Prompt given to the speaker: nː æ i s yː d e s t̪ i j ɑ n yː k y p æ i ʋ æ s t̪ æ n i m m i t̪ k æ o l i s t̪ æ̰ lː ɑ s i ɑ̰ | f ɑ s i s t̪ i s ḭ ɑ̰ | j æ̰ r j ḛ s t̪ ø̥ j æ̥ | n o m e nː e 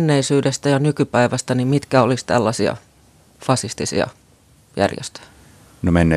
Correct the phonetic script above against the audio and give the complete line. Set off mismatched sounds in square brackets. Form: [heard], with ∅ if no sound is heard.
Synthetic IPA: nː [e] i s yː d e s t̪ [æ] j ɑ n [y] k y p æ i ʋ æ s t̪ æ n i m m i t̪ k æ o l i s t̪ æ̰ lː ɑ s i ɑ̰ | f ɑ s i s t̪ i s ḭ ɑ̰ | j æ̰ r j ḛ s t̪ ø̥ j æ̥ | n o m e nː e